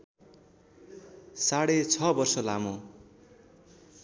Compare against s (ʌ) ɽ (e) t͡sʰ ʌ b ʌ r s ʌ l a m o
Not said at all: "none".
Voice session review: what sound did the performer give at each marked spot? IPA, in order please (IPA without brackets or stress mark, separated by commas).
a, e